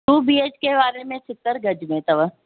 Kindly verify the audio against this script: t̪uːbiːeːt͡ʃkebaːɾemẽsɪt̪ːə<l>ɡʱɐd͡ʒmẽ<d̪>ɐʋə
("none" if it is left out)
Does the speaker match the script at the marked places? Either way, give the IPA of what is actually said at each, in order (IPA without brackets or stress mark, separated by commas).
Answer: ɾ, t̪